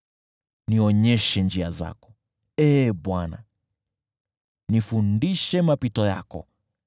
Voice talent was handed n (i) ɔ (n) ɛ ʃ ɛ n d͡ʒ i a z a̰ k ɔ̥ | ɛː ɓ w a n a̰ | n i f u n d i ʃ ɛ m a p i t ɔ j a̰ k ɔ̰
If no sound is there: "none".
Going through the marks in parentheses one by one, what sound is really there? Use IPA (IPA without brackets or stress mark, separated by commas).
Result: i, ɲ